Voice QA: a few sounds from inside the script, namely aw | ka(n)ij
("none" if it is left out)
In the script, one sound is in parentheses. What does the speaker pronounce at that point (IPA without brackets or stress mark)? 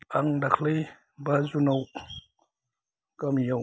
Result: m